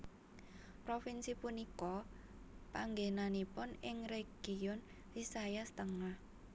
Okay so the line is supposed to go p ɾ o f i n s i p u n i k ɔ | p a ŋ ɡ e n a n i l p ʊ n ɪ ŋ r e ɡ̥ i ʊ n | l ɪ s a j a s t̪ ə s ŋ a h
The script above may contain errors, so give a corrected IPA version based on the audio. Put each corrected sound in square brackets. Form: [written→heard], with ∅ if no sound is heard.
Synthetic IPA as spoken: p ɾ o f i n s i p u n i k ɔ | p a ŋ ɡ e n a n i [l→∅] p ʊ n ɪ ŋ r e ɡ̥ i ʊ n | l [ɪ→i] s a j a s t̪ ə [s→∅] ŋ a h